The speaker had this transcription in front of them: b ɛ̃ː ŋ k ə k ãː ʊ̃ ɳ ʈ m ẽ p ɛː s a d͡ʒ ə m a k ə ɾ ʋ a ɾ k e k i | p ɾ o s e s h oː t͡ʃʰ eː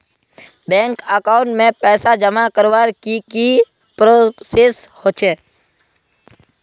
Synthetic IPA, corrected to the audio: b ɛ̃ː ŋ k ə k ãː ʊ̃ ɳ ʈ m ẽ p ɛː s a d͡ʒ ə m a k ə ɾ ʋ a ɾ k i k i | p ɾ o s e s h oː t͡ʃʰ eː